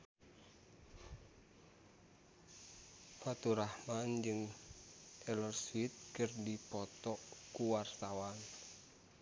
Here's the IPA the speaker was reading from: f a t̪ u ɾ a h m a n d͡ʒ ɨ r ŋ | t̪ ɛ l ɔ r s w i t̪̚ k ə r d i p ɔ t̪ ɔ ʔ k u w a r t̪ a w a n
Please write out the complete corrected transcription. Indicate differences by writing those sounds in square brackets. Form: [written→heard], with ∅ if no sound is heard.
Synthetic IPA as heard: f a t̪ u ɾ a h m a n d͡ʒ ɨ [r→∅] ŋ | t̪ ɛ l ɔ r s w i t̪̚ k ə r d i p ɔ t̪ ɔ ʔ k u w a r t̪ a w a n